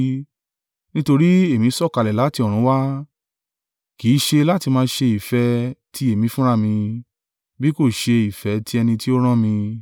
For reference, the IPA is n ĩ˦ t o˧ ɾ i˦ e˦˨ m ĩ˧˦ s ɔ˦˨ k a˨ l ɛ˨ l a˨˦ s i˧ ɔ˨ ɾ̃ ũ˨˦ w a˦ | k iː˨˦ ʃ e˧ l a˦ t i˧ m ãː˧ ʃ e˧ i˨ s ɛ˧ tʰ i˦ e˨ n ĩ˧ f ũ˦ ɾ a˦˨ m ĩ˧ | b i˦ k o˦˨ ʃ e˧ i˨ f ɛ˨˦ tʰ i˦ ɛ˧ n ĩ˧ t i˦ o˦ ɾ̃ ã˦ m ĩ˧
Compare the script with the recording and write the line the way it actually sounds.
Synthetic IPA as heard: n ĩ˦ t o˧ ɾ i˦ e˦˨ m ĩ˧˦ s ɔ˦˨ k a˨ l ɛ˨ l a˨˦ t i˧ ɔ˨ ɾ̃ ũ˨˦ w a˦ | k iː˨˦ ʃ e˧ l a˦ t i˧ m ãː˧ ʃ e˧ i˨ f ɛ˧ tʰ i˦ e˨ m ĩ˧ f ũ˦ ɾ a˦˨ m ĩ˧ | b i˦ k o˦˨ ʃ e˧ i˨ f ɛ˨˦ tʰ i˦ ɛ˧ n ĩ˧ t i˦ o˦ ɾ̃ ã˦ m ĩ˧